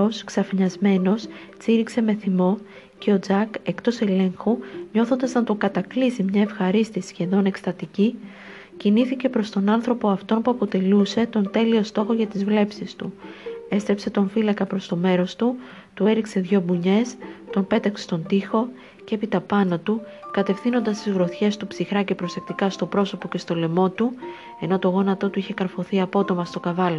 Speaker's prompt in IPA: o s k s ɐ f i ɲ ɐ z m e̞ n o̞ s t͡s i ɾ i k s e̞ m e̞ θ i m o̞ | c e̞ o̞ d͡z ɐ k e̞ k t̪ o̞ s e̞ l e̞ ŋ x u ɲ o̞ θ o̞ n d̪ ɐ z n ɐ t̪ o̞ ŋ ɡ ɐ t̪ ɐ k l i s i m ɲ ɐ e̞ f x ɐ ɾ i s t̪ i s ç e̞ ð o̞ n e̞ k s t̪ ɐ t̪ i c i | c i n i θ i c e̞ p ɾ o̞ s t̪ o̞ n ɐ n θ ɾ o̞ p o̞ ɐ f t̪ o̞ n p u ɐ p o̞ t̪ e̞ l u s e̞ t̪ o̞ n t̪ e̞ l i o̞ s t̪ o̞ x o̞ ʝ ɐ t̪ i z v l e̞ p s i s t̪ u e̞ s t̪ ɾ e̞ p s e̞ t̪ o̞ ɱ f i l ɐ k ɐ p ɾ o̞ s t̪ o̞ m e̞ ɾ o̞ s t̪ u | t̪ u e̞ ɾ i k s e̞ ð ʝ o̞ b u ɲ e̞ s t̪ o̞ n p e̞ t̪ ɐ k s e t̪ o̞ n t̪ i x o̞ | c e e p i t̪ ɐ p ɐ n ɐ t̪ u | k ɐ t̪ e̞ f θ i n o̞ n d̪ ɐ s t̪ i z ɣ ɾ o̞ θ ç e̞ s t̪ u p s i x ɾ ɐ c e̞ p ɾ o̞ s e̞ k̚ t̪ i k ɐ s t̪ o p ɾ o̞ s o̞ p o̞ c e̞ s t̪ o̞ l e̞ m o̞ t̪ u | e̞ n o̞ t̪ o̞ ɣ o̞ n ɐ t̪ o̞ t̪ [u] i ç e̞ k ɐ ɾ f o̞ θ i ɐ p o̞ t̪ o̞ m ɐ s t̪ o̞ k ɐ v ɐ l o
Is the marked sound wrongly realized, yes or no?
no